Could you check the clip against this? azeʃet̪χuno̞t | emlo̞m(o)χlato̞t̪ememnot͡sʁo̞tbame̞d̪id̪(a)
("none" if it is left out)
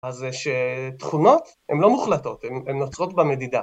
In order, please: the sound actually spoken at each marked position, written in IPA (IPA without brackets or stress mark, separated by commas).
u, a